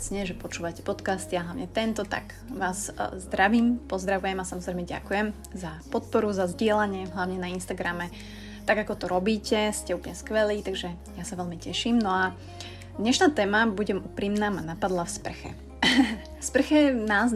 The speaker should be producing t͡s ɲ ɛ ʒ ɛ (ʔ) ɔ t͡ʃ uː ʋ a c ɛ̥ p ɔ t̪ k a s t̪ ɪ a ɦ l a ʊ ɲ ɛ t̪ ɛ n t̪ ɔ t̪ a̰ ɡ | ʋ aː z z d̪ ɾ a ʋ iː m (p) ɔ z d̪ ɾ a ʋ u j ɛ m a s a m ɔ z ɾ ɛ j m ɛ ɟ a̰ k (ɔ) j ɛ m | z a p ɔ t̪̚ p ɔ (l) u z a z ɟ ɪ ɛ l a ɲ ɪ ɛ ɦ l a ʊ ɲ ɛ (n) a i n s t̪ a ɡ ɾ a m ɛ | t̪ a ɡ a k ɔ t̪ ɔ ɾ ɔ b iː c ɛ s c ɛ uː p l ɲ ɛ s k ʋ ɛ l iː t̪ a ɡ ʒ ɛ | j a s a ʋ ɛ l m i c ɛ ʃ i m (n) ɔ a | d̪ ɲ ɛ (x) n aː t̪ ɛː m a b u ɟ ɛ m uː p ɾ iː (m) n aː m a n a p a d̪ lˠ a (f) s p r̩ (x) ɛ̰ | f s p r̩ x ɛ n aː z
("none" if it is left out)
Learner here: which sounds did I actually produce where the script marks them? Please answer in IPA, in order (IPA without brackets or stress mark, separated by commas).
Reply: p, p, u, ɾ, n, n, ʃ, m, f, x